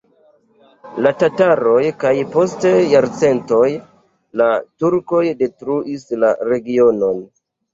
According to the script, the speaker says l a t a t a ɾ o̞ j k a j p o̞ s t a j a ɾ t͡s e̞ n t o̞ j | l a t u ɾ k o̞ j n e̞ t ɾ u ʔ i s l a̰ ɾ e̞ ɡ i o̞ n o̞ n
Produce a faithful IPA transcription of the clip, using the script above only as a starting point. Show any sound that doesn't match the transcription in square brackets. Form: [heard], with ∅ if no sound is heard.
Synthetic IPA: l a t a t a ɾ o̞ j k a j p o̞ s t [e] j a ɾ t͡s e̞ n t o̞ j | l a t u ɾ k o̞ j [d] e̞ t ɾ u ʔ i s l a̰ ɾ e̞ ɡ i o̞ n o̞ n